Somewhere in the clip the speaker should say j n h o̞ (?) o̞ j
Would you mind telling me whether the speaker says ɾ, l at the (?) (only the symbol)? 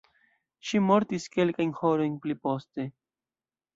ɾ